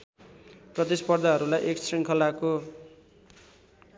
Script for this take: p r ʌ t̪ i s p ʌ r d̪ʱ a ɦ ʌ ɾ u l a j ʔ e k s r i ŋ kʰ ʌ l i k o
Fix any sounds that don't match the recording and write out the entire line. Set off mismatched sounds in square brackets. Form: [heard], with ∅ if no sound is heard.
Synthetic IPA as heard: p r ʌ t̪ i s p ʌ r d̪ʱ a ɦ ʌ ɾ u l a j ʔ e k s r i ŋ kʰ ʌ l [a] k o